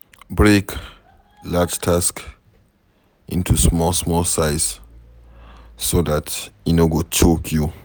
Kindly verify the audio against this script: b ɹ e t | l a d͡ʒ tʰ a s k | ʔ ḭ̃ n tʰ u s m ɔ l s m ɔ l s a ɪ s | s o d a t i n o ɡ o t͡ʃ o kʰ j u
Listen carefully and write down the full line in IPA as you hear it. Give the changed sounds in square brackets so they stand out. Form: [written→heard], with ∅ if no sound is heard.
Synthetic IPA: b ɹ e [t→k] | l a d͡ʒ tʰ a s k | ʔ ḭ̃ n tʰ u s m ɔ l s m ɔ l s a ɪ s | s o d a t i n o ɡ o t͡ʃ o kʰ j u